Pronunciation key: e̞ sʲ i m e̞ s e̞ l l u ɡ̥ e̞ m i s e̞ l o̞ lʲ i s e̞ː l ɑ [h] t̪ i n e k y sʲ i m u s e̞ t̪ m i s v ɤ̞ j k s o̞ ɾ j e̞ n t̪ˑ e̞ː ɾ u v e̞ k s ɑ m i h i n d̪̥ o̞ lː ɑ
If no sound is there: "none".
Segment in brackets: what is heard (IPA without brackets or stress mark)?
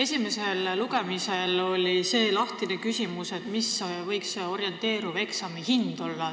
h